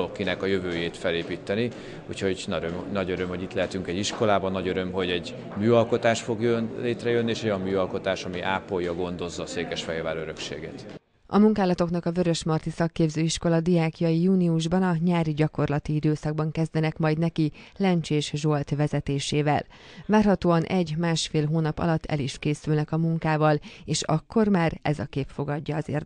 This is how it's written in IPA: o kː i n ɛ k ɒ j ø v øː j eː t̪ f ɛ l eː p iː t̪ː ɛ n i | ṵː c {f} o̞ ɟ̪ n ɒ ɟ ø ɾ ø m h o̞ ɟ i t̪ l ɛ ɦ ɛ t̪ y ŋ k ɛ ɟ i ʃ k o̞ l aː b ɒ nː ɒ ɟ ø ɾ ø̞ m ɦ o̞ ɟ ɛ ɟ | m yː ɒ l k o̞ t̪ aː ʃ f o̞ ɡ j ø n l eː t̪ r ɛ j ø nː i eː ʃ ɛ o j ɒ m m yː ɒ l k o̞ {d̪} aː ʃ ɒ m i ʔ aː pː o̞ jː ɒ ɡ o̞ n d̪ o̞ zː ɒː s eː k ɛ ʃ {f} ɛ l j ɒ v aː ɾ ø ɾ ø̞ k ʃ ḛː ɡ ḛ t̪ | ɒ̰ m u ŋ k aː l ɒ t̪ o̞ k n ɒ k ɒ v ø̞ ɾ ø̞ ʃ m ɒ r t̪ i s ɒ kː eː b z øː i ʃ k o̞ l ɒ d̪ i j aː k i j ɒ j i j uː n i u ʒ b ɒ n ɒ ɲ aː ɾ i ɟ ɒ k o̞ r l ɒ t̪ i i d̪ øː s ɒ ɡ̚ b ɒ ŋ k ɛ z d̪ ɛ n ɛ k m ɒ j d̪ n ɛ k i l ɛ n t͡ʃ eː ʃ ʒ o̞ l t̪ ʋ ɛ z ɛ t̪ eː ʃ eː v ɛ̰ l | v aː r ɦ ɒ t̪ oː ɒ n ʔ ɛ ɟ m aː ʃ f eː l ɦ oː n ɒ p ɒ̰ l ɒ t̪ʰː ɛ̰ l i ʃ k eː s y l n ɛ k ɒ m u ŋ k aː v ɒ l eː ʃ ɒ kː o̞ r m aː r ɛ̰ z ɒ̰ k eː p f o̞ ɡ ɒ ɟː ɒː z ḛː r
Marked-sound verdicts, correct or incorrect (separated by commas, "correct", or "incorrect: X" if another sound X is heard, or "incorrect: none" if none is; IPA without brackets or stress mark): incorrect: h, incorrect: t̪, correct